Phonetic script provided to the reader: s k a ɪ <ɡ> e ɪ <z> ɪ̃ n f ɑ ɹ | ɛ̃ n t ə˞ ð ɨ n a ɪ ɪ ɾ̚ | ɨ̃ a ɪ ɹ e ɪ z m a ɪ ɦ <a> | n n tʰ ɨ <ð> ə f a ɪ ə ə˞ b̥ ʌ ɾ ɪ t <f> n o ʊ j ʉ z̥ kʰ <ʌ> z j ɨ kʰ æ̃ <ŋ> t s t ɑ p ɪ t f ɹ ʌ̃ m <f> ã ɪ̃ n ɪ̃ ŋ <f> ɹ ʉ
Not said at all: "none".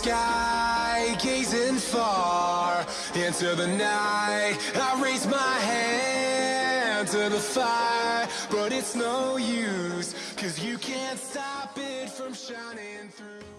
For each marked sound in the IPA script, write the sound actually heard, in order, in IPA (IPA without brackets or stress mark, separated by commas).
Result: ɡ, z, æ, ð, s, ʌ, n, ʃ, θ